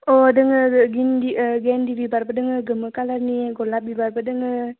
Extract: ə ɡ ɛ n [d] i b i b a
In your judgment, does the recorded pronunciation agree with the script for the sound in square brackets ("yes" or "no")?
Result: yes